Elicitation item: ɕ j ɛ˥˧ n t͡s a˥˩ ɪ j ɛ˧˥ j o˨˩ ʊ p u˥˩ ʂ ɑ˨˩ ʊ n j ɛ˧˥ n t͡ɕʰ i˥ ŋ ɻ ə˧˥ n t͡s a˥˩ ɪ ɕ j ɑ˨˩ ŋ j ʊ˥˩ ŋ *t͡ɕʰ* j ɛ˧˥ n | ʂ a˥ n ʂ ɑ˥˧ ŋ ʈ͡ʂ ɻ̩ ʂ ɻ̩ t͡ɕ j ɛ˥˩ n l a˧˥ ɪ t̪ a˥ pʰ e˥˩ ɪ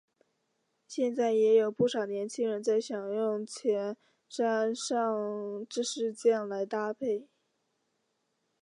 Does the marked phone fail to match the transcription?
no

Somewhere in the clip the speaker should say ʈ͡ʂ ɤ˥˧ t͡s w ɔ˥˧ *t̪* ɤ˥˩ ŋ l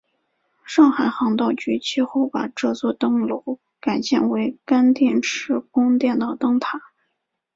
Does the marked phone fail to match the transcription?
no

